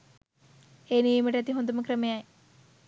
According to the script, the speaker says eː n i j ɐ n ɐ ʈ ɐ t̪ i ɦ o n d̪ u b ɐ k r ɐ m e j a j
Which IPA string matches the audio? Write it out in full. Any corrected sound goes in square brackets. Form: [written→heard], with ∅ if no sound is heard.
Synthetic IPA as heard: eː n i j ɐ [n→m] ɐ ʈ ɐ t̪ i ɦ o n d̪ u [b→m] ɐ k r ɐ m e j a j